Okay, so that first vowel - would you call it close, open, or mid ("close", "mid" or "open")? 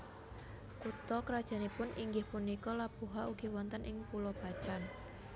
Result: close